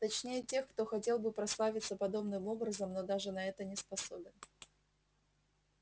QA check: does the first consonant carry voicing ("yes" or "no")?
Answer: no